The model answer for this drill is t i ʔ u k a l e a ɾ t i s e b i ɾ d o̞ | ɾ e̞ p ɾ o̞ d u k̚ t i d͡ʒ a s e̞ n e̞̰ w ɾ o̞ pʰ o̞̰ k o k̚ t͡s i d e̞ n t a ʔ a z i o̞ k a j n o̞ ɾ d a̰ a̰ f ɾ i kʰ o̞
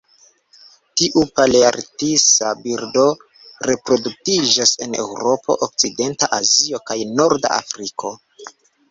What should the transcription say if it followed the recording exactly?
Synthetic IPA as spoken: t i ʔ u p a l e a ɾ t i s a b i ɾ d o̞ | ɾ e̞ p ɾ o̞ d u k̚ t i d͡ʒ a s e̞ n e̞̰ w ɾ o̞ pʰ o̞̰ ʔ o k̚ t͡s i d e̞ n t a ʔ a z i o̞ k a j n o̞ ɾ d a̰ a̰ f ɾ i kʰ o̞